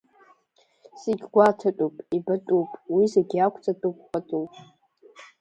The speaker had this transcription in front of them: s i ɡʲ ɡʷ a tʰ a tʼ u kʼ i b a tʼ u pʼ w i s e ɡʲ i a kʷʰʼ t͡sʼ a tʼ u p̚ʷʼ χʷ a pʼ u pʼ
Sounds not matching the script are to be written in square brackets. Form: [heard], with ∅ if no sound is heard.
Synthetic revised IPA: s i ɡʲ ɡʷ a tʰ a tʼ u [pʼ] i b a tʼ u pʼ w i [z] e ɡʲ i a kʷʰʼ t͡sʼ a tʼ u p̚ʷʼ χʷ a [tʼ] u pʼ